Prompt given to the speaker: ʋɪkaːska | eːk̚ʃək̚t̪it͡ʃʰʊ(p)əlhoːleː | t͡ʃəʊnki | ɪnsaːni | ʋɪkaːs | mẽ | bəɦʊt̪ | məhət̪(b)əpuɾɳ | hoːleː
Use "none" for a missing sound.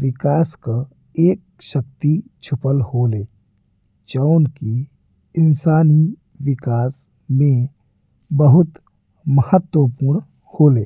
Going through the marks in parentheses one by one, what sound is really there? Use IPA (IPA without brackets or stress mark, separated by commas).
p, w